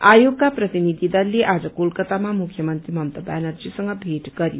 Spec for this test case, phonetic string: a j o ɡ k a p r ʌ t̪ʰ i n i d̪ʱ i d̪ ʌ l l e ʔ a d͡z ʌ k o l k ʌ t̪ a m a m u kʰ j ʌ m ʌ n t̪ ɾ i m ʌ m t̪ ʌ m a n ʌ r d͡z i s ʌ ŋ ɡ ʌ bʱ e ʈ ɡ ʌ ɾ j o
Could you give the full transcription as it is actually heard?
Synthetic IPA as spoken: a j o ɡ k a p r ʌ t̪ i n i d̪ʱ i d̪ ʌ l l e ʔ a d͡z ʌ k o l k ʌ t̪ a m a m u kʰ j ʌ m ʌ n t̪ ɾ i m ʌ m t̪ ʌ b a n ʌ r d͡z i s ʌ ŋ ɡ ʌ bʱ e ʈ ɡ ʌ ɾ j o